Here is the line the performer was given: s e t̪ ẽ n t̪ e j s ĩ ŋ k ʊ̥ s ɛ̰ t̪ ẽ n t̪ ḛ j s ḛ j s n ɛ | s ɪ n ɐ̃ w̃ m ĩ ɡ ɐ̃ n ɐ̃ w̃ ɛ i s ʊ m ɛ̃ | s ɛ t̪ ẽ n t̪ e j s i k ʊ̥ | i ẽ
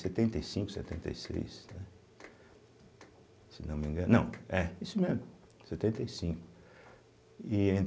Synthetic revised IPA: s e t̪ ẽ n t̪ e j s ĩ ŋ k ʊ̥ s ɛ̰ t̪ ẽ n t̪ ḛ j s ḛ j s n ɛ | s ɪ n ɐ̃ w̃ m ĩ ɡ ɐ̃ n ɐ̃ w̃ ɛ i s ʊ m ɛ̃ | s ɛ t̪ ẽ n t̪ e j s ĩ k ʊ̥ | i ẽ

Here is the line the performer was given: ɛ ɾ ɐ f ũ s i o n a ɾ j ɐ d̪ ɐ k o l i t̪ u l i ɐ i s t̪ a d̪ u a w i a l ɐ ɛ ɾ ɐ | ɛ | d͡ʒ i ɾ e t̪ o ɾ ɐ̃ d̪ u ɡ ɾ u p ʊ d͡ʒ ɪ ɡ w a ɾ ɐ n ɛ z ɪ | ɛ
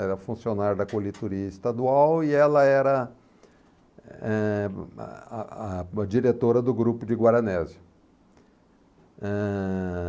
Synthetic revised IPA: ɛ ɾ ɐ f ũ s i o n a ɾ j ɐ d̪ ɐ k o l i t̪ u ɾ i ɐ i s t̪ a d̪ u a w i ɛ l ɐ ɛ ɾ ɐ | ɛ | d͡ʒ i ɾ e t̪ o ɾ ɐ d̪ ʊ ɡ ɾ u p ʊ d͡ʒ ɪ ɡ w a ɾ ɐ n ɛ z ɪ | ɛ

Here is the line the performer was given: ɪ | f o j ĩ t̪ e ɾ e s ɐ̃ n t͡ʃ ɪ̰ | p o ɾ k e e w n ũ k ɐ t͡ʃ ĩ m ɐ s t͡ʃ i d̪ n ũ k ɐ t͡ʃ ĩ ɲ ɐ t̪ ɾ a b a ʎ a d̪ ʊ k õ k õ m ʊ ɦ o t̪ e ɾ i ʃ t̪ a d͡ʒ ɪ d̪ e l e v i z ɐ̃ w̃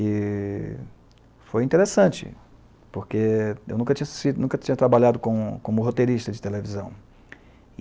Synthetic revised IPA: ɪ | f o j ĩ t̪ e ɾ e s ɐ̃ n t͡ʃ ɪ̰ | p o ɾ k e e w n ũ k ɐ t͡ʃ ĩ ɲ ɐ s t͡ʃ i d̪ n ũ k ɐ t͡ʃ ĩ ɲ ɐ t̪ ɾ a b a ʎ a d̪ ʊ k õ k õ m ʊ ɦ o t̪ e ɾ i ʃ t̪ ɐ d͡ʒ ɪ t̪ e l e v i z ɐ̃ w̃

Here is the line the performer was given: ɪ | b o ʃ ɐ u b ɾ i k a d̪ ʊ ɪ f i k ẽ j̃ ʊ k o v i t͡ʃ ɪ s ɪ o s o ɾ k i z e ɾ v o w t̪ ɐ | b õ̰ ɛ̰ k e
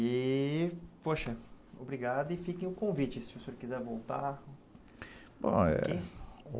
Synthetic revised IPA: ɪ | p o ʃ ɐ o b ɾ i ɡ a d̪ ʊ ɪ f i k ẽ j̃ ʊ k õ v i t͡ʃ ɪ s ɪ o s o ɾ k i z ɛ ɾ v o w t̪ a | b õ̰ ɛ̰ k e

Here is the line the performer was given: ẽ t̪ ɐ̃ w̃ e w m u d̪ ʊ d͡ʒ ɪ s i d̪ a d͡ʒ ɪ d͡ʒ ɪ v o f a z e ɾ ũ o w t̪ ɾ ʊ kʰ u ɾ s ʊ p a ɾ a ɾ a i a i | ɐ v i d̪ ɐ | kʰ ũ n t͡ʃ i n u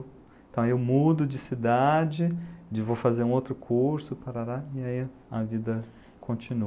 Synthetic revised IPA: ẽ t̪ ɐ̃ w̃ e w m u d̪ ʊ d͡ʒ ɪ s i d̪ a d͡ʒ ɪ d͡ʒ ɪ v o f a z e ɾ ũ o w t̪ ɾ ʊ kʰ u ɾ s ʊ p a ɾ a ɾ a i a i | ɐ v i d̪ ɐ | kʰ õ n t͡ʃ i n u

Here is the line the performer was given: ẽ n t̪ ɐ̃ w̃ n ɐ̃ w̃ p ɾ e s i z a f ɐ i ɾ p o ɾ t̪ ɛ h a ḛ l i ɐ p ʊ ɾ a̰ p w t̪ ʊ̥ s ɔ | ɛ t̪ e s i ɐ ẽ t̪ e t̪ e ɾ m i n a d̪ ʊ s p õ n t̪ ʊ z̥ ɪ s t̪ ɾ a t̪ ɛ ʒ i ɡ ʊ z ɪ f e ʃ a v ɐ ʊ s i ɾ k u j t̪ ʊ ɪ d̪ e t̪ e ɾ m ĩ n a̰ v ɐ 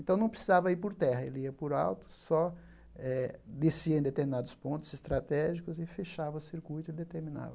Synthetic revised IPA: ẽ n t̪ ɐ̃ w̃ n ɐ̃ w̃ p ɾ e s i z a v ɐ i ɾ p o ɾ t̪ ɛ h ɐ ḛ l i ɐ p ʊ ɾ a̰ w t̪ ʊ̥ s ɔ | ɛ d̪ e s i ɐ ẽ d̪ e t̪ e ɾ m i n a d̪ ʊ s p õ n t̪ ʊ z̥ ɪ s t̪ ɾ a t̪ ɛ ʒ i k ʊ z ɪ f e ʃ a v ɐ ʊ s i ɾ k u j t̪ ʊ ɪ d̪ e t̪ e ɾ m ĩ n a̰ v ɐ

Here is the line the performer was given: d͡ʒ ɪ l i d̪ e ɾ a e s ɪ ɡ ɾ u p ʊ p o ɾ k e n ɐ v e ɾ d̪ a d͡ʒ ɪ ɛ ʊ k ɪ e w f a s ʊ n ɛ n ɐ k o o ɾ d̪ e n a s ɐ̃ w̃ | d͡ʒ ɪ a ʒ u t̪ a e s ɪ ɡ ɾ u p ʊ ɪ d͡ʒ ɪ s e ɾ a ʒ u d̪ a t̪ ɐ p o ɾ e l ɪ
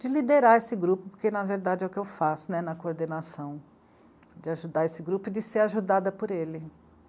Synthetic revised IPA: d͡ʒ ɪ l i d̪ e ɾ a e s ɪ ɡ ɾ u p ʊ p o ɾ k e n ɐ v e ɾ d̪ a d͡ʒ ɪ ɛ ʊ k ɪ e w f a s ʊ n ɛ n ɐ k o o ɾ d̪ e n a s ɐ̃ w̃ | d͡ʒ ɪ a ʒ u d̪ a e s ɪ ɡ ɾ u p ʊ ɪ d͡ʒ ɪ s e ɾ a ʒ u d̪ a d̪ ɐ p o ɾ e l ɪ

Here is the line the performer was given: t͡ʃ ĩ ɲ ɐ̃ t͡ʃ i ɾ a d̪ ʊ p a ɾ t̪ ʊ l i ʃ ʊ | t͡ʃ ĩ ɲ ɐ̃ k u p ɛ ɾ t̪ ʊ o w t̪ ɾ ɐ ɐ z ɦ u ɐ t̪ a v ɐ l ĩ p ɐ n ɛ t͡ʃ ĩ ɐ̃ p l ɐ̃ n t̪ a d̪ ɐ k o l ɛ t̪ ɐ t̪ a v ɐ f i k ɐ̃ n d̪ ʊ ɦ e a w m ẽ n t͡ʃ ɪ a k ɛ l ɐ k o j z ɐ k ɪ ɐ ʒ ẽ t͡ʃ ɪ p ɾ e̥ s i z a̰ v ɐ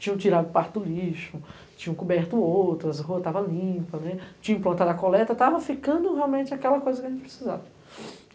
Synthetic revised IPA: t͡ʃ ĩ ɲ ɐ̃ t͡ʃ i ɾ a d̪ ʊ p a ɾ t̪ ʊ l i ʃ ʊ | t͡ʃ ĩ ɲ ɐ̃ k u b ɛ ɾ t̪ ʊ o w t̪ ɾ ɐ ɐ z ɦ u ɐ t̪ a v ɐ l ĩ p ɐ n ɛ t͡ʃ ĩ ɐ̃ p l ɐ̃ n t̪ a d̪ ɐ k o l ɛ t̪ ɐ t̪ a v ɐ f i k ɐ̃ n d̪ ʊ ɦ e a w m ẽ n t͡ʃ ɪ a k ɛ l ɐ k o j z ɐ k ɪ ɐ ʒ ẽ t͡ʃ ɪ p ɾ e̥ s i z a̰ v ɐ

